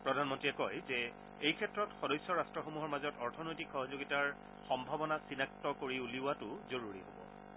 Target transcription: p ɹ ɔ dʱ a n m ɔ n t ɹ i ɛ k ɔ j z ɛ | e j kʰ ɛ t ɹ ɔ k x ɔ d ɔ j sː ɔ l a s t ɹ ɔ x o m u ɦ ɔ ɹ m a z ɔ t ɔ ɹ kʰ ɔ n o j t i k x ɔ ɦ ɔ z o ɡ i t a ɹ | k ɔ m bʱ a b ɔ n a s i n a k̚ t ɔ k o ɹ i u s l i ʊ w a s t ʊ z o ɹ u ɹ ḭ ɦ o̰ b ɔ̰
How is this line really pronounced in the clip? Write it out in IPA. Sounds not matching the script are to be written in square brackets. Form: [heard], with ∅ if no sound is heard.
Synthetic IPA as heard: p ɹ ɔ dʱ a n m ɔ n t ɹ i ɛ k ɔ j z ɛ | e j kʰ ɛ t ɹ ɔ [t] x ɔ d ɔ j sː ɔ [ɹ] a s t ɹ ɔ x o m u ɦ ɔ ɹ m a z ɔ t ɔ ɹ [tʰ] ɔ n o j t i k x ɔ ɦ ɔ z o ɡ i t a ɹ | [x] ɔ m bʱ a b ɔ n a s i n a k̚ t ɔ k o ɹ i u [∅] l i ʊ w a [∅] t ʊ z o ɹ u ɹ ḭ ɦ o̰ b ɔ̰